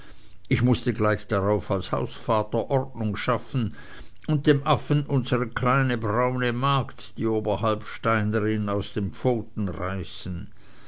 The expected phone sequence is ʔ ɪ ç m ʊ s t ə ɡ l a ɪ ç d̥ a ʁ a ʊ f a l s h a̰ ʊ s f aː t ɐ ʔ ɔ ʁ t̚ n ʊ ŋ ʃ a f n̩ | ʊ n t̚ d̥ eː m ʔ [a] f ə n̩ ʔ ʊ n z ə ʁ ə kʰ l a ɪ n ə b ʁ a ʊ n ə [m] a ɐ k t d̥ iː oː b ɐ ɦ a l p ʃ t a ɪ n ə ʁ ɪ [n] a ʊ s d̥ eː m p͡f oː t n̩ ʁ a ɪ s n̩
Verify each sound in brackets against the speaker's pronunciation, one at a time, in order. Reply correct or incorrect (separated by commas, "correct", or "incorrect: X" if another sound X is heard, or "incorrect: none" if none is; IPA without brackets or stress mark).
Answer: correct, correct, correct